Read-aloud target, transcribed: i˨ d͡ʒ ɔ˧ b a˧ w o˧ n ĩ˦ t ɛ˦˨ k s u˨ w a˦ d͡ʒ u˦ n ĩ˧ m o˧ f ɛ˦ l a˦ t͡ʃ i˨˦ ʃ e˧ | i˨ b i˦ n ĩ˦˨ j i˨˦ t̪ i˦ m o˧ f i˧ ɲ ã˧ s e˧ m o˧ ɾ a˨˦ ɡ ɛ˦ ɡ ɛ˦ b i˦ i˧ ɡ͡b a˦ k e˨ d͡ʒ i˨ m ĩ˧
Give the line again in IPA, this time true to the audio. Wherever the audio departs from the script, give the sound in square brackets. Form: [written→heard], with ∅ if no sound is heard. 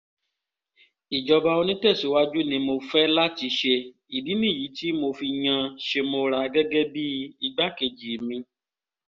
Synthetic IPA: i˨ d͡ʒ ɔ˧ b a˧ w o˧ n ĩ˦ t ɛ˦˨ [k→∅] s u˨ w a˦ d͡ʒ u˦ n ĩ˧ m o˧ f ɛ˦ l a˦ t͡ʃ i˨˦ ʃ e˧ | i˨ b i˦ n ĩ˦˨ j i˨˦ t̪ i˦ m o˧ f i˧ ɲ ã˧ [s→ʃ] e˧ m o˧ ɾ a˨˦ ɡ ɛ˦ ɡ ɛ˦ b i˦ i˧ ɡ͡b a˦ k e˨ d͡ʒ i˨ m ĩ˧